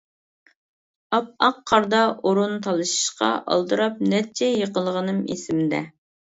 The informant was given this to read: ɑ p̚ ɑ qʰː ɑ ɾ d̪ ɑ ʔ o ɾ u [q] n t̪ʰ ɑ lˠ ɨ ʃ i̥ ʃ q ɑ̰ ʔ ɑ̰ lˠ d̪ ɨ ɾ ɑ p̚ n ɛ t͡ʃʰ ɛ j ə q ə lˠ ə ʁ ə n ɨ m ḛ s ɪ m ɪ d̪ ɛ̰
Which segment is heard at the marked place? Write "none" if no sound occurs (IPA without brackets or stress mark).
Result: none